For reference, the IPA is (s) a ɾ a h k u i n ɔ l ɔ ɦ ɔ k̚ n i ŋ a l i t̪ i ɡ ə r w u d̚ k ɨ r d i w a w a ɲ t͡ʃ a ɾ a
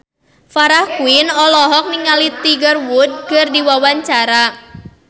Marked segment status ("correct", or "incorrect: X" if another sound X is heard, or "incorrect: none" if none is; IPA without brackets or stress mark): incorrect: f